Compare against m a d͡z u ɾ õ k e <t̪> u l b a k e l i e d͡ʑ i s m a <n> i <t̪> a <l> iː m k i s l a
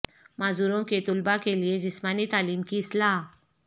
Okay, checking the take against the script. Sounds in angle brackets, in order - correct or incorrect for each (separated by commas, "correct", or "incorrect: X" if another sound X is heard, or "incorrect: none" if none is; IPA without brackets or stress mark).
correct, correct, correct, correct